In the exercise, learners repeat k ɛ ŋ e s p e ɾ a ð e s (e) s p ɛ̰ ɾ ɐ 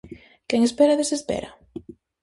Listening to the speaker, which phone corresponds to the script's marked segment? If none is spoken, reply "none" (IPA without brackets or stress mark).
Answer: e